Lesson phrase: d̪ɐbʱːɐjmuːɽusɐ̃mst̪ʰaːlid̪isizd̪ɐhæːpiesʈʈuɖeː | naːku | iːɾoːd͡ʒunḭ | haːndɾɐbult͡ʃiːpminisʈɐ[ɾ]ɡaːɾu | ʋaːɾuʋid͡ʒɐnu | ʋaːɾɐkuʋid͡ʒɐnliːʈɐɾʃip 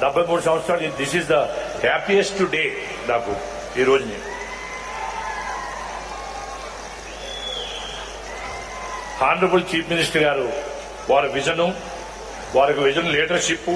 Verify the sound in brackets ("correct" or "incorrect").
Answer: correct